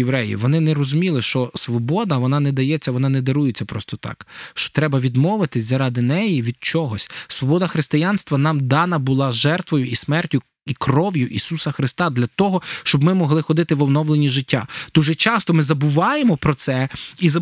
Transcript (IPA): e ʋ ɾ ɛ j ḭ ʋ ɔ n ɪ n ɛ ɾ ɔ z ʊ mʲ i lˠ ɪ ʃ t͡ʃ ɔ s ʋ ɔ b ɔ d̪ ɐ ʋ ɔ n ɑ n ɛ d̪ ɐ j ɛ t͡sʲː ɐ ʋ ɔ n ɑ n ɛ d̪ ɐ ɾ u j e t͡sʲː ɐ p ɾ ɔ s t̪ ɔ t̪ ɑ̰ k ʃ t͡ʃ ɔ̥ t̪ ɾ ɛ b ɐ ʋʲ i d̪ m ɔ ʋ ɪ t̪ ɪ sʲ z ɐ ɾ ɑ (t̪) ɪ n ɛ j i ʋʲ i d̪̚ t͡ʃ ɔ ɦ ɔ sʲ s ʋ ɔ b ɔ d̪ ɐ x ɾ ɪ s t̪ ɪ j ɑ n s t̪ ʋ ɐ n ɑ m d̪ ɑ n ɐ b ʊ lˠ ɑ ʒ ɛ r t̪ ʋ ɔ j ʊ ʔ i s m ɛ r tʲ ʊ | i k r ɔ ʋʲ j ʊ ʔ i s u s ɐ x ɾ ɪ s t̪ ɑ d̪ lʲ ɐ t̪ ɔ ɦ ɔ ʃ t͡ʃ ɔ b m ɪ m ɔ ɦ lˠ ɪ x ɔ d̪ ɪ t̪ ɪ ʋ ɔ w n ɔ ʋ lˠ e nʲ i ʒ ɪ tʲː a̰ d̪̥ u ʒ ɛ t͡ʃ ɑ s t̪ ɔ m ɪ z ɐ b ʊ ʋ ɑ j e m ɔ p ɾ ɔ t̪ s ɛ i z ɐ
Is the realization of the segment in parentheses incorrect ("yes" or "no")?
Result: yes